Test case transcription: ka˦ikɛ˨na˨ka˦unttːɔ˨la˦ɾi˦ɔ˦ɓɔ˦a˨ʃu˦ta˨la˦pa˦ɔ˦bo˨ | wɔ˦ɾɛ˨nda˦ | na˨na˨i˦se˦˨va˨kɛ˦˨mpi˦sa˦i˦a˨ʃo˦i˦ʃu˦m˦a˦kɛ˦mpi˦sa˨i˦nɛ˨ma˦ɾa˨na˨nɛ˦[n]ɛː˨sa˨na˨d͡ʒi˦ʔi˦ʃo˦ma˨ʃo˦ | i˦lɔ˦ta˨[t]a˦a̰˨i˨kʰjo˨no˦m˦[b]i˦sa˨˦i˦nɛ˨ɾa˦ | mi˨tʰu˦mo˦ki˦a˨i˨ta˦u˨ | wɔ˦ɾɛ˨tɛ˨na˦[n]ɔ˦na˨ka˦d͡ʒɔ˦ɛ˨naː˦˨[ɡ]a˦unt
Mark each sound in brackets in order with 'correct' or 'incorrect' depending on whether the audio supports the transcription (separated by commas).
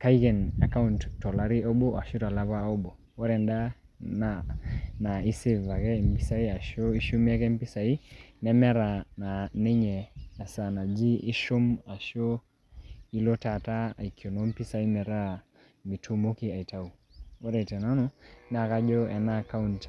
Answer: incorrect, correct, incorrect, correct, incorrect